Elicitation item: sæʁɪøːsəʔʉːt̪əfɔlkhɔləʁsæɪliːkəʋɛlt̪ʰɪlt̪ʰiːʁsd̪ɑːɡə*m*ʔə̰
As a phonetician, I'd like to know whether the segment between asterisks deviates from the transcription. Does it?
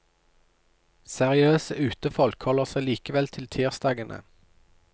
yes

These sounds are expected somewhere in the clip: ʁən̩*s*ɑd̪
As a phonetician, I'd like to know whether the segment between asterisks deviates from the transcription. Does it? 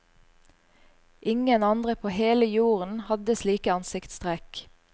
yes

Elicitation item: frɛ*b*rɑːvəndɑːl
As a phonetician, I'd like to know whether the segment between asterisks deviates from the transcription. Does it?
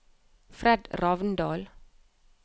yes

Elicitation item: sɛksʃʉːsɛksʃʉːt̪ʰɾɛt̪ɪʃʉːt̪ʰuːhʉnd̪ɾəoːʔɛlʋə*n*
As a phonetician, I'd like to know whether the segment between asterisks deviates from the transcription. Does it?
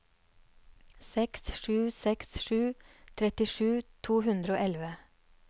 yes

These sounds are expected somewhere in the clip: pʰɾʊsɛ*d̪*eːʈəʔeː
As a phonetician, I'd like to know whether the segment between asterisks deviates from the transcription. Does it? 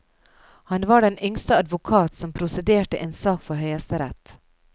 no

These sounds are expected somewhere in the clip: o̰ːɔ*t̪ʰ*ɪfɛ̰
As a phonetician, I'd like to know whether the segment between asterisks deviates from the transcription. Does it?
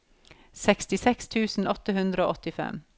yes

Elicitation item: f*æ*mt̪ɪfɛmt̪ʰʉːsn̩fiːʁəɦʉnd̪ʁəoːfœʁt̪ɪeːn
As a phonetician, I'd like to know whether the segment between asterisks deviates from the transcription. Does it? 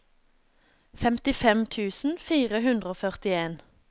yes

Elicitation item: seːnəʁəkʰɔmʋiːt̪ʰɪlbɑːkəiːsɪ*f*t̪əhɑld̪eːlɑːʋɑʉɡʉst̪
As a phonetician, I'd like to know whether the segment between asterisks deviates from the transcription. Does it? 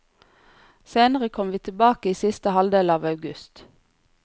yes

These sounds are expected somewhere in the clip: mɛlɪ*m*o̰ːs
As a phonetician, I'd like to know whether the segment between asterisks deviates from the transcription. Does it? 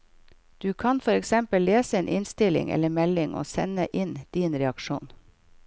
yes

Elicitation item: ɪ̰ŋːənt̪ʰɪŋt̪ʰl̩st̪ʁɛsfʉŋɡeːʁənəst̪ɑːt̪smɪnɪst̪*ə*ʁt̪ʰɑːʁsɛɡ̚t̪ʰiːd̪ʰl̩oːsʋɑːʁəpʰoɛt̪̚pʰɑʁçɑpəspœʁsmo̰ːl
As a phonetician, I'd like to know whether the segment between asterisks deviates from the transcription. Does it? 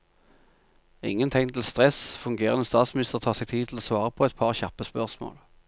no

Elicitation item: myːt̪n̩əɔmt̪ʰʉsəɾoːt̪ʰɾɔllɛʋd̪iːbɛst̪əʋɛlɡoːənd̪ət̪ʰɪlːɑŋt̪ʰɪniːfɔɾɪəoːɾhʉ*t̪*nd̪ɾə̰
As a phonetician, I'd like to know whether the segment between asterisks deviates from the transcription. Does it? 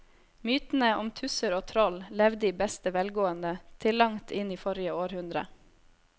yes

